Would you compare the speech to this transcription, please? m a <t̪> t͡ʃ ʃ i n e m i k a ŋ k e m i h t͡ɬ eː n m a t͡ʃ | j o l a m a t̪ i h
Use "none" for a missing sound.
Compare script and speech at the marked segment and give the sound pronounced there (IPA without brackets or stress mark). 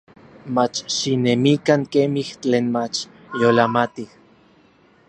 none